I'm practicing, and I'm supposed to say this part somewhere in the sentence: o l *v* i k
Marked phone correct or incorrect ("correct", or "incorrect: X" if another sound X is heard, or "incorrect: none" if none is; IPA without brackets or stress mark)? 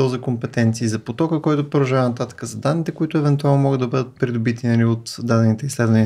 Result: incorrect: z